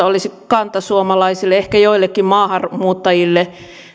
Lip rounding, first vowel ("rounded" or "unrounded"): rounded